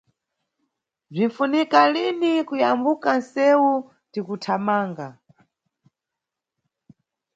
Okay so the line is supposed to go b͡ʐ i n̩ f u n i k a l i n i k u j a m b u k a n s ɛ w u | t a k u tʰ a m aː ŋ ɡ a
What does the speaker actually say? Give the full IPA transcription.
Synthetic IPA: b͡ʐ i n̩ f u n i k a l i n i k u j a m b u k a n s ɛ w u | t i k u tʰ a m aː ŋ ɡ a

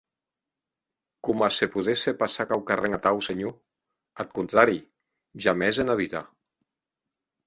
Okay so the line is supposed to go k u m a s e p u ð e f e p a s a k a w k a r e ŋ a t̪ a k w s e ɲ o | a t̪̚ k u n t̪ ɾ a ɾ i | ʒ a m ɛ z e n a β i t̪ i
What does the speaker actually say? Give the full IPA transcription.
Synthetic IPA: k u m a s e p u ð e s e p a s a k a w k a r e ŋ a t̪ a w s e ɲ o | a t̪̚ k u n t̪ ɾ a ɾ i | ʒ a m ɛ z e n a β i t̪ a

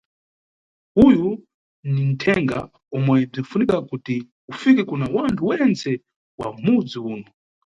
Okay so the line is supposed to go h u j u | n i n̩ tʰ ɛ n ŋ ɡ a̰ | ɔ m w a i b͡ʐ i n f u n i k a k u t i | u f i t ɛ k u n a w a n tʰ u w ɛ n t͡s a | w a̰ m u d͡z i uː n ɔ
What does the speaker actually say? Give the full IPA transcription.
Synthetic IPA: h u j u | n i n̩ tʰ ɛ ŋ ɡ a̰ | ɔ m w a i b͡ʐ i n f u n i k a k u t i | u f i k ɛ k u n a w a n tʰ u w ɛ n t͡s ɛ | w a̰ m u d͡z i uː n ɔ

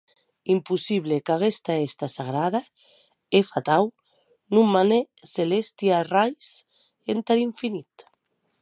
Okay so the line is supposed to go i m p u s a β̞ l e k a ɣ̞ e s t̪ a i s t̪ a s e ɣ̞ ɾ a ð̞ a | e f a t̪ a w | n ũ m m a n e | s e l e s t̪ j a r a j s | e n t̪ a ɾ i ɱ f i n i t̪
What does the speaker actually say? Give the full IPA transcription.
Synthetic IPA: i m p u s i β̞ l e k a ɣ̞ e s t̪ a e s t̪ a s a ɣ̞ ɾ a ð̞ a | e f a t̪ a w | n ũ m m a n e | s e l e s t̪ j a r a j s | e n t̪ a ɾ i ɱ f i n i t̪

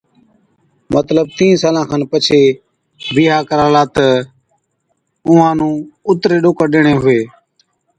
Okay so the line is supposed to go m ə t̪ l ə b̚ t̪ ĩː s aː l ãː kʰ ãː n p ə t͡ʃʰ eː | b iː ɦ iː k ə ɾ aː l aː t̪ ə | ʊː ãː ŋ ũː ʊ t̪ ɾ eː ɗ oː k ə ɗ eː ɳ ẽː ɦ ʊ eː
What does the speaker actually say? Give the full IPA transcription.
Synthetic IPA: m ə t̪ l ə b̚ t̪ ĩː s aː l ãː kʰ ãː n p ə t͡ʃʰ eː | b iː ɦ aː k ə ɾ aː l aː t̪ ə | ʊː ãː n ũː ʊ t̪ ɾ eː ɗ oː k ə ɗ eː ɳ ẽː ɦ ʊ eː

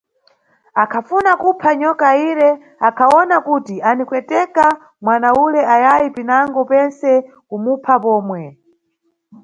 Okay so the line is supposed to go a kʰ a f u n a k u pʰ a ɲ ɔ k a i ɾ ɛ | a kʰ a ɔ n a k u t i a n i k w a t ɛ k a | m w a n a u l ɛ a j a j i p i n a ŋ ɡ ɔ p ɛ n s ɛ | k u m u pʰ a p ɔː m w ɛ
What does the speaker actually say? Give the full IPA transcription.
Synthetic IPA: a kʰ a f u n a k u pʰ a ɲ ɔ k a i ɾ ɛ | a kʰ a ɔ n a k u t i a n i k w ɛ t ɛ k a | m w a n a u l ɛ a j a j i p i n a ŋ ɡ ɔ p ɛ n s ɛ | k u m u pʰ a p ɔː m w ɛ

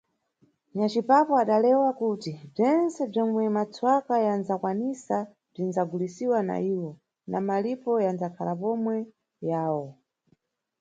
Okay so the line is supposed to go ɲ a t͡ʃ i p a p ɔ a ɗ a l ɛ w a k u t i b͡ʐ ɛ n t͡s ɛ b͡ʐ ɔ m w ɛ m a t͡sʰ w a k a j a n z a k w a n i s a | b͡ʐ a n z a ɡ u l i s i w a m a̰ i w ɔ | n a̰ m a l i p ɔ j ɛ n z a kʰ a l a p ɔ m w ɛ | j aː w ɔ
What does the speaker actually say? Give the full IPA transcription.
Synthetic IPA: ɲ a t͡ʃ i p a p ɔ a ɗ a l ɛ w a k u t i b͡ʐ ɛ n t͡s ɛ b͡ʐ ɔ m w ɛ m a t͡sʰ w a k a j a n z a k w a n i s a | b͡ʐ i n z a ɡ u l i s i w a n a̰ i w ɔ | n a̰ m a l i p ɔ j a n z a kʰ a l a p ɔ m w ɛ | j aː w ɔ

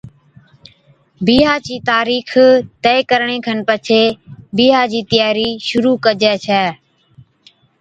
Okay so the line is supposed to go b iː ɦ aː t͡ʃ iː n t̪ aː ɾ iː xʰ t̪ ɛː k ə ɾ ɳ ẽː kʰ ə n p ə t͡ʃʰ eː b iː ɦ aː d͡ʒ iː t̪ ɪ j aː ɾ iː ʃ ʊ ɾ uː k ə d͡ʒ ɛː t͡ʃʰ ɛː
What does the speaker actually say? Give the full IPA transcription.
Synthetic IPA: b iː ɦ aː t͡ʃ iː t̪ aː ɾ iː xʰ t̪ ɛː k ə ɾ ɳ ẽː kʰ ə n p ə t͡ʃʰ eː b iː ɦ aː d͡ʒ iː t̪ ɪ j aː ɾ iː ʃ ʊ ɾ uː k ə d͡ʒ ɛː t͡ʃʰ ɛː

